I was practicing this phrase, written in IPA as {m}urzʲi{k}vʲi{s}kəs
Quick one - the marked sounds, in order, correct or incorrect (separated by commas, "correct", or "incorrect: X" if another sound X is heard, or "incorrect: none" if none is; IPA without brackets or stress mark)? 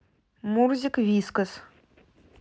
correct, correct, correct